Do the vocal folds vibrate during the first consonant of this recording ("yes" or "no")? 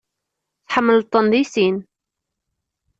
no